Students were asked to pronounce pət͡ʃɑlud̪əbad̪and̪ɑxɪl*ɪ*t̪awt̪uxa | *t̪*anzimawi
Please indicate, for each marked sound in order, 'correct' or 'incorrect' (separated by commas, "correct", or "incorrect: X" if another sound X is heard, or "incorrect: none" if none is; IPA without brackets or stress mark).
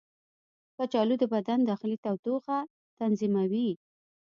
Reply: incorrect: i, correct